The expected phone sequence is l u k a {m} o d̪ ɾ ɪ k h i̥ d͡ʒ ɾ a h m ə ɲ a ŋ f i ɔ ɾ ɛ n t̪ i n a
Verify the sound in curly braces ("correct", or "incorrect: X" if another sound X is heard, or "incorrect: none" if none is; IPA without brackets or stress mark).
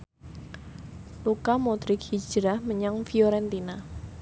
correct